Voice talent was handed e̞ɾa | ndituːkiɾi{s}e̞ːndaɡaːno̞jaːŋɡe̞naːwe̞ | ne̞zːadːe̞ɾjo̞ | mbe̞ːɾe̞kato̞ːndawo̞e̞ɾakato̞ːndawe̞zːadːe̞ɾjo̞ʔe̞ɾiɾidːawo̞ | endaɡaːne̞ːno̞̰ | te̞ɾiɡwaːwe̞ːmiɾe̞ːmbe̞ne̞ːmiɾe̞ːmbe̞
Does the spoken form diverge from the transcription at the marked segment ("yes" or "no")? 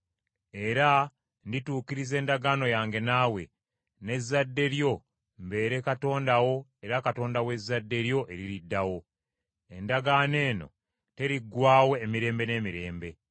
yes